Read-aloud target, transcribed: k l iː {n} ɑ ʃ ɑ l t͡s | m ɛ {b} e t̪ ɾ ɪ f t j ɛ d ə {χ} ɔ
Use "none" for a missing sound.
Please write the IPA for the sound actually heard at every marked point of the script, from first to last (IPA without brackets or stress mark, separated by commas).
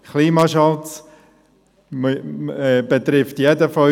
m, b, f